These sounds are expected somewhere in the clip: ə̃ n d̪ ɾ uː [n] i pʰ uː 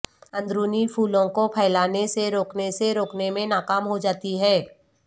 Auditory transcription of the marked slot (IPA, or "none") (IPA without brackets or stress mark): n